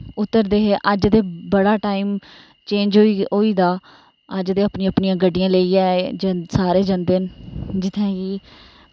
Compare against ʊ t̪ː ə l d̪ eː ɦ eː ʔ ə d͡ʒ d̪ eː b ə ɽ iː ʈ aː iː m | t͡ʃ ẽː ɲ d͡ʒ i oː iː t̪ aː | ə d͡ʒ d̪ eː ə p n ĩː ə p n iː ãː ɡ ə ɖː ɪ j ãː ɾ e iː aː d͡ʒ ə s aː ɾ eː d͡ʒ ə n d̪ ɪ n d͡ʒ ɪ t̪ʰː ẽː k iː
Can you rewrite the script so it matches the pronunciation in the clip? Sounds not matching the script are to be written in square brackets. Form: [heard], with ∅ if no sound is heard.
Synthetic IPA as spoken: ʊ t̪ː ə [ɾ] d̪ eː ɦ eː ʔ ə d͡ʒ d̪ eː b ə ɽ [aː] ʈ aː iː m | t͡ʃ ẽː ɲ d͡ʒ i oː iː [d̪] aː | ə d͡ʒ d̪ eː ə p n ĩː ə p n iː ãː ɡ ə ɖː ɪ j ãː [l] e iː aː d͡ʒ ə s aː ɾ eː d͡ʒ ə n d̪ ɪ n d͡ʒ ɪ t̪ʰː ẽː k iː